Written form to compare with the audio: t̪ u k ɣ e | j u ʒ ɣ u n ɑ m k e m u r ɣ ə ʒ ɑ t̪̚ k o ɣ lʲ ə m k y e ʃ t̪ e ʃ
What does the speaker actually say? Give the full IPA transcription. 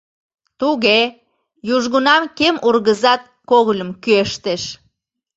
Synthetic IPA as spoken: t̪ u ɣ e | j u ʒ ɣ u n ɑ m k e m u r ɣ ə z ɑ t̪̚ k o ɣ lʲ ə m k y e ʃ t̪ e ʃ